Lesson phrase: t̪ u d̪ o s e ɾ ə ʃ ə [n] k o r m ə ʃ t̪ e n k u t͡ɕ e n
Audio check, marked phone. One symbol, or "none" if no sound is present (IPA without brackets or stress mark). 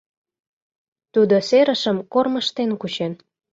m